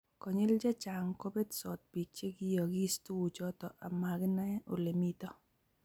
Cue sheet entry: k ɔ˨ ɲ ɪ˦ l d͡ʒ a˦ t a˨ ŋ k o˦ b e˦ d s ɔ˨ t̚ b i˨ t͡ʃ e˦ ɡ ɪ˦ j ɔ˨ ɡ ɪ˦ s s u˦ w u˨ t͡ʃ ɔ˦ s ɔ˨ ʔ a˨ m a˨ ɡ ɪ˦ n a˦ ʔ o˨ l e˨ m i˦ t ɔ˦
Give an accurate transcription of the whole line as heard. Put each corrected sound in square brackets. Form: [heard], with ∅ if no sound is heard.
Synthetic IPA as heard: k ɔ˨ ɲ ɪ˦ l d͡ʒ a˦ [t͡ʃ] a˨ ŋ k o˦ b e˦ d s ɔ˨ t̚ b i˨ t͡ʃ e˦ ɡ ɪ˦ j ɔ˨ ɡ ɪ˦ s [t] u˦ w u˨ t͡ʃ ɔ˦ [t] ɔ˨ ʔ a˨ m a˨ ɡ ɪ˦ n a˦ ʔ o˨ l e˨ m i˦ t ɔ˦